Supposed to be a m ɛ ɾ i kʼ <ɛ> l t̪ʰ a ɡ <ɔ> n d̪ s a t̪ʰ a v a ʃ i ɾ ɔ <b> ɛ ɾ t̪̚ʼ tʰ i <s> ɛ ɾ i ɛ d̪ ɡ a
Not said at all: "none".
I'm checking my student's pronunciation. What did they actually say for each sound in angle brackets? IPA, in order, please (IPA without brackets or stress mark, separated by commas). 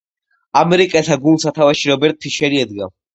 ɛ, u, b, ʃ